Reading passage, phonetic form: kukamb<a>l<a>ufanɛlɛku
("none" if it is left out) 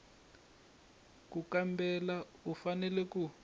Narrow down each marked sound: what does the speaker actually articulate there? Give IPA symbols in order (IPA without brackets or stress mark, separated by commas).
ɛ, a